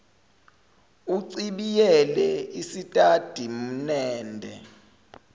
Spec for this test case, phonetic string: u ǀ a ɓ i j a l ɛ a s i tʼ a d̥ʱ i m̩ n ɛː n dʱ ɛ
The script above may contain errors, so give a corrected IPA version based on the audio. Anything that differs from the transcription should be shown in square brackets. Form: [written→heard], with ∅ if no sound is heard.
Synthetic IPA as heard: u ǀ [a→i] ɓ i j [a→ɛ] l ɛ [a→i] s i tʼ a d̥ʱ i m̩ n ɛː n dʱ ɛ